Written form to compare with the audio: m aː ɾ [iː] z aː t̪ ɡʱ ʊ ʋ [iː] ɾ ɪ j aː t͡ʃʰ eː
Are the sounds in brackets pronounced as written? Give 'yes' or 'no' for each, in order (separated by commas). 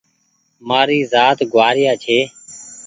yes, no